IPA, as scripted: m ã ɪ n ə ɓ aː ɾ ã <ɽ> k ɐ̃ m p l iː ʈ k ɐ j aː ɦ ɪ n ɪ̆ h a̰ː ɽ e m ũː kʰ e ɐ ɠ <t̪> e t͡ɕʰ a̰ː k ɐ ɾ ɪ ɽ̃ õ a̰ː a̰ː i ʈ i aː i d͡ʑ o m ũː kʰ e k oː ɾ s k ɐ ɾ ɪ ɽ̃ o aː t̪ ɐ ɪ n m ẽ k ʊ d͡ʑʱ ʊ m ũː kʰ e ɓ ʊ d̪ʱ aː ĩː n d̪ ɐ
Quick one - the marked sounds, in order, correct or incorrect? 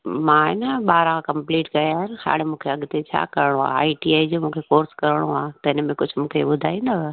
incorrect: none, correct

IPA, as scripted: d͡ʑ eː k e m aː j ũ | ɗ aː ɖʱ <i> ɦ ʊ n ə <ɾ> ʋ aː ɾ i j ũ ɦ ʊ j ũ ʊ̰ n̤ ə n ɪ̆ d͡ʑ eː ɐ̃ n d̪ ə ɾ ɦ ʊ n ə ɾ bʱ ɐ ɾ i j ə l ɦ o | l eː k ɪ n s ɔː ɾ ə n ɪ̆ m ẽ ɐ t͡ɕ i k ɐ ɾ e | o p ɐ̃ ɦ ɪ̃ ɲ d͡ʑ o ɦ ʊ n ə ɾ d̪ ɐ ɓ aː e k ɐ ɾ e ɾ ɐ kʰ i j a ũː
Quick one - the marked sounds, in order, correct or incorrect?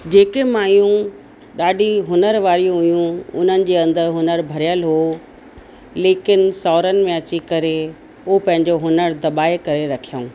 correct, correct

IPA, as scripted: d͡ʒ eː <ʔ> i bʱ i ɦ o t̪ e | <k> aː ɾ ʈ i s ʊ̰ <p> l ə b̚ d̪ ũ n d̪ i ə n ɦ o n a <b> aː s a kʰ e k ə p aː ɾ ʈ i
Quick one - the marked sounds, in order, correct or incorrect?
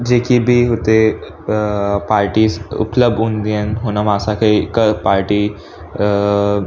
incorrect: k, incorrect: p, correct, incorrect: m

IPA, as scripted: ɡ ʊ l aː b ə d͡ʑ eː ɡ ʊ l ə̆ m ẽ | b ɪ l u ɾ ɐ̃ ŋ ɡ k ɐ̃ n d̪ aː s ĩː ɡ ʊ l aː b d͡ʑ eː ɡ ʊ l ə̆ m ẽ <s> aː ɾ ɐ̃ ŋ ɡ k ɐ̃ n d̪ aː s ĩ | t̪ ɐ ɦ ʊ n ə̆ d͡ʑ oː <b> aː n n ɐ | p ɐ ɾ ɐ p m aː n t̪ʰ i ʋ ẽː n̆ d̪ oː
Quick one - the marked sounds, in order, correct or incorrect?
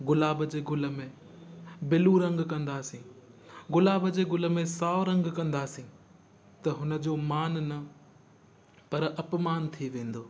correct, incorrect: m

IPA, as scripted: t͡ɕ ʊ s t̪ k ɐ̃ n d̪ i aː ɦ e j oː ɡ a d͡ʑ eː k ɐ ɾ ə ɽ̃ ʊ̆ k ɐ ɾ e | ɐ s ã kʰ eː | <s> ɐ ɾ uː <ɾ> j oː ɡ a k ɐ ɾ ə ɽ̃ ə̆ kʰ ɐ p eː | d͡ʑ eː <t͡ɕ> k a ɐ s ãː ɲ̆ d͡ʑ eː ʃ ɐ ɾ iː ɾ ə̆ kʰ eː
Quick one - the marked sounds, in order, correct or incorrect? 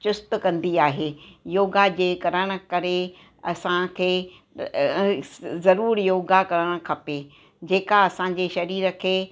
incorrect: z, correct, incorrect: none

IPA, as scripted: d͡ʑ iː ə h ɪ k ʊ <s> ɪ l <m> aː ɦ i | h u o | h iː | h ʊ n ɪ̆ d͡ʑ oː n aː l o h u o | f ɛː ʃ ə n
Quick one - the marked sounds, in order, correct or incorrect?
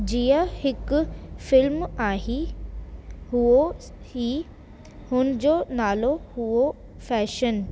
incorrect: f, correct

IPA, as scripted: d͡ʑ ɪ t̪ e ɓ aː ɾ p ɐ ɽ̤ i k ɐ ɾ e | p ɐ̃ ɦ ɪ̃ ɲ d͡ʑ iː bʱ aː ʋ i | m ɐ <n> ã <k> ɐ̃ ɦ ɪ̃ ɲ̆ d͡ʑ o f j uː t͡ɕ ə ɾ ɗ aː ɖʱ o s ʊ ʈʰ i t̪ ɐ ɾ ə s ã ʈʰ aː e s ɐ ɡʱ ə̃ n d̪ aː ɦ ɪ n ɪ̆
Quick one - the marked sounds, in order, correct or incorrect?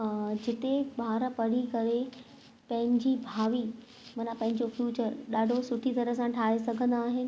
correct, incorrect: p

